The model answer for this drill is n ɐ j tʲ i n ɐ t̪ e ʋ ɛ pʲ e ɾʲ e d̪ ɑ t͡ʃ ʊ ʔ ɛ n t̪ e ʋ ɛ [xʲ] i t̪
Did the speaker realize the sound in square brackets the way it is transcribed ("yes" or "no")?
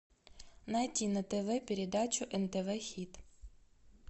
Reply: yes